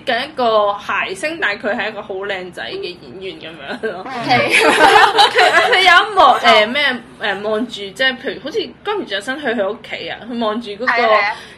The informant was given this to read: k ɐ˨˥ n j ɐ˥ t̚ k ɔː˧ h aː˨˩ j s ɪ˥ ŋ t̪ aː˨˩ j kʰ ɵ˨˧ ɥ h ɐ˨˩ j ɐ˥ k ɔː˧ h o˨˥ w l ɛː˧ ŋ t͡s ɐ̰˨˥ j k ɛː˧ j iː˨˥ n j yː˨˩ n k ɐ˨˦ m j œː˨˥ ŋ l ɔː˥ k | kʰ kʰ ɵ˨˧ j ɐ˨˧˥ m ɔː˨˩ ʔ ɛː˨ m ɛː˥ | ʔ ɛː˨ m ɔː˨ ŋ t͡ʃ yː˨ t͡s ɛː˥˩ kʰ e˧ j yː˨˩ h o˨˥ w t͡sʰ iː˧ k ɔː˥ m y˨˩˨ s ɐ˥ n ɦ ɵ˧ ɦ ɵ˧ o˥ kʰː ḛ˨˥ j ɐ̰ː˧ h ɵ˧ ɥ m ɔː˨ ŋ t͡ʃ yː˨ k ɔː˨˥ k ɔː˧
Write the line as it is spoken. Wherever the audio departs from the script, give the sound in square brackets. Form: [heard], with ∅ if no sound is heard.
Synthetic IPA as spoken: k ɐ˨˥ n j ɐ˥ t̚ k ɔː˧ h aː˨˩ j s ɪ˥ ŋ t̪ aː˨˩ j kʰ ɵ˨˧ ɥ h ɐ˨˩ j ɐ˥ k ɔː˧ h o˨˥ w l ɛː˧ ŋ t͡s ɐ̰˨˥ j k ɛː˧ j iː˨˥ n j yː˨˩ n k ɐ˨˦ m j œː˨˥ ŋ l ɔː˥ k | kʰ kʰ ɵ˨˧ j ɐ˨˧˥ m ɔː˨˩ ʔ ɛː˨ m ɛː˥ | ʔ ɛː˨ m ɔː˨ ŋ t͡ʃ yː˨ t͡s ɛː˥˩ [pʰ] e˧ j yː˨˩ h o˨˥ w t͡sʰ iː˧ k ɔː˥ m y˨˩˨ s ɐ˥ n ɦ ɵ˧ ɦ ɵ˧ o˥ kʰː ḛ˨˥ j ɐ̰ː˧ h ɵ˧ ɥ m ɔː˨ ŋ t͡ʃ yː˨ k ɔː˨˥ k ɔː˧